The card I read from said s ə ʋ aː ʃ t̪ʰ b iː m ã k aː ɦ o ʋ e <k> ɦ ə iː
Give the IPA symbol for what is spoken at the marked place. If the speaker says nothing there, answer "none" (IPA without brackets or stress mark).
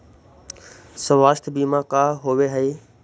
none